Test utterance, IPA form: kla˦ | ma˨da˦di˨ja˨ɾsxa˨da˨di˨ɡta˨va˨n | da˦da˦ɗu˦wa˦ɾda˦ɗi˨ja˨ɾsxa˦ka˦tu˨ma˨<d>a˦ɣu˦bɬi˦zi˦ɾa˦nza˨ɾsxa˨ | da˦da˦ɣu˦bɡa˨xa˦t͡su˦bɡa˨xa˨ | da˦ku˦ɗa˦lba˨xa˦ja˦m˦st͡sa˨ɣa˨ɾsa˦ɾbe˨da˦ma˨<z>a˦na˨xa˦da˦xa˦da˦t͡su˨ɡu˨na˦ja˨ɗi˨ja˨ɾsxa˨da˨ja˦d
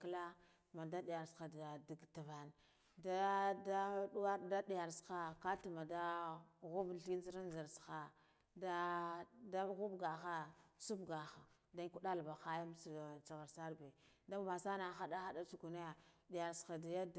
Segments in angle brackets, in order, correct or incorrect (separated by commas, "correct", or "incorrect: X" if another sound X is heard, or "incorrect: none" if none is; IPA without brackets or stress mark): correct, incorrect: s